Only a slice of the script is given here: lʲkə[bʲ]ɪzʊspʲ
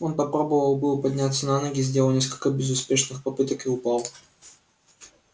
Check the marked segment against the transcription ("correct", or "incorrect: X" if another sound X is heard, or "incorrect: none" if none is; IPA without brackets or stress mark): correct